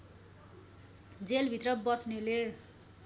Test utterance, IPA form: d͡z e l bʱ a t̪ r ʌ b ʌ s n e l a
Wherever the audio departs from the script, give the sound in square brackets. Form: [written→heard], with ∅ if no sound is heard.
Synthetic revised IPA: d͡z e l bʱ [a→i] t̪ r ʌ b ʌ s n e l [a→e]